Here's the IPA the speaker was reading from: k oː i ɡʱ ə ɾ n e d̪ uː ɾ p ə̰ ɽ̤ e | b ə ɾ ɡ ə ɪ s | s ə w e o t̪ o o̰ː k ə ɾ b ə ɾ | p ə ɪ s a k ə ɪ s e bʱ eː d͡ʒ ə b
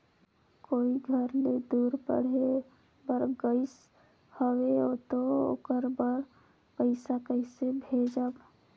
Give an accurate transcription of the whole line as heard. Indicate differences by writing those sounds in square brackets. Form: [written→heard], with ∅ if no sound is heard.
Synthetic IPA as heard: k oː i ɡʱ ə ɾ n e d̪ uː ɾ p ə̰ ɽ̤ e | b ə ɾ ɡ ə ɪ s | [s→h] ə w e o t̪ o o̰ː k ə ɾ b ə ɾ | p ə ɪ s a k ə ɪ s e bʱ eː d͡ʒ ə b